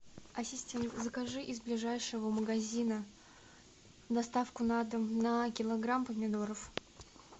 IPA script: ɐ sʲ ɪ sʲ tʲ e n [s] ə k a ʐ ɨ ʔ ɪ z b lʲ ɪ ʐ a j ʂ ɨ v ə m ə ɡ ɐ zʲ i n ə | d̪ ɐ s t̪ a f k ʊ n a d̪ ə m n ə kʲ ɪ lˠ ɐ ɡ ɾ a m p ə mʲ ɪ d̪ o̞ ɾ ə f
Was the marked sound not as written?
yes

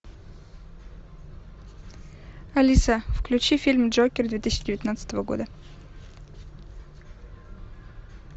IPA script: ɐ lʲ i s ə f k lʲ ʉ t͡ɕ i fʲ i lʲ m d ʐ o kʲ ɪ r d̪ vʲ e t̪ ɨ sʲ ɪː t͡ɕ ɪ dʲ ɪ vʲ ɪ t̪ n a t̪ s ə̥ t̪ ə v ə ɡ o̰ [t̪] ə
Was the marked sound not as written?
yes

